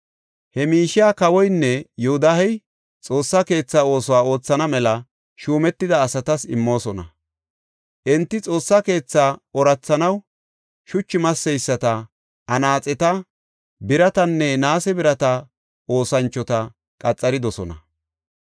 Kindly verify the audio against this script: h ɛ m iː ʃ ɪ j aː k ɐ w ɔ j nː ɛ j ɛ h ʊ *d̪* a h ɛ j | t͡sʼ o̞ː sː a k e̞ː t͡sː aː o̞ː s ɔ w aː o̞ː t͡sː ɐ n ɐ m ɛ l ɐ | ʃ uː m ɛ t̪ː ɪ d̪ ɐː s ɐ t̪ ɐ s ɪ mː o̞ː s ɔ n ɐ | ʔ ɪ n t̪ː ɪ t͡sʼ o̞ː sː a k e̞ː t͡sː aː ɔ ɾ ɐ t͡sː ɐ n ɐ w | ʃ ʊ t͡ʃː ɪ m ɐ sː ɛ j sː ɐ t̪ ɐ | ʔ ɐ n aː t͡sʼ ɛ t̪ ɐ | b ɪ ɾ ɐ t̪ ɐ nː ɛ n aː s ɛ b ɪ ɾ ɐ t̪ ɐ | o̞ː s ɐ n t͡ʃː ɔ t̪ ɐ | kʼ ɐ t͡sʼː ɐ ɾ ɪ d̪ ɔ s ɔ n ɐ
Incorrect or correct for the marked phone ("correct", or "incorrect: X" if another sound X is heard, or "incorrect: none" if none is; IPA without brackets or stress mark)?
correct